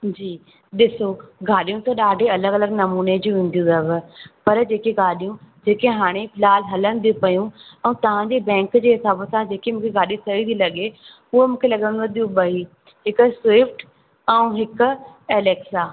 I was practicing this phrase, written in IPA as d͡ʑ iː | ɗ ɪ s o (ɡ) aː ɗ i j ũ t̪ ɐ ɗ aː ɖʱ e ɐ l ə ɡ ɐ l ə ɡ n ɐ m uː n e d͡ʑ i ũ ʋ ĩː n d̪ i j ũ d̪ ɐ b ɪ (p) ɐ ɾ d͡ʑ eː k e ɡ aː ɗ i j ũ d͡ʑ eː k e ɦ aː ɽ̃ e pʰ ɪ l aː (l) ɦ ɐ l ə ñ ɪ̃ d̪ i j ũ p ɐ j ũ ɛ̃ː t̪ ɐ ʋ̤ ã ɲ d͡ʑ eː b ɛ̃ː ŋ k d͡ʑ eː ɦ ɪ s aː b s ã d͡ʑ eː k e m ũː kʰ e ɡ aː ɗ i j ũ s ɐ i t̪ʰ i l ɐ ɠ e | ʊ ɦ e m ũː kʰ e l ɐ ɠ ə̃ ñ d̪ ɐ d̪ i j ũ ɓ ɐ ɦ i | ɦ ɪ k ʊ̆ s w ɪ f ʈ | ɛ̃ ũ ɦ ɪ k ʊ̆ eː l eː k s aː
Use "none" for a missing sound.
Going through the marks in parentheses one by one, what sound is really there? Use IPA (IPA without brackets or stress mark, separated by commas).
ɡ, p, l